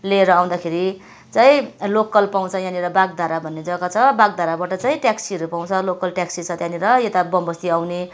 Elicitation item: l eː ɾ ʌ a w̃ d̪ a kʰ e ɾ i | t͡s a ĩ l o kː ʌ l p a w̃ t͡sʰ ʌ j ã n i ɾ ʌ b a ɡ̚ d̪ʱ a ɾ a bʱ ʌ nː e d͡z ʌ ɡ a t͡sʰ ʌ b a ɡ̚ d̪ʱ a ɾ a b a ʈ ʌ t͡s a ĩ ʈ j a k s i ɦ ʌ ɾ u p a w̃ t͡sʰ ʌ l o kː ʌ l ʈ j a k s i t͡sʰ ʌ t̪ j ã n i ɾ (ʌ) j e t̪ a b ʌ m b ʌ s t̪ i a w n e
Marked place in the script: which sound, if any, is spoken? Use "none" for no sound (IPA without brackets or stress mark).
ʌ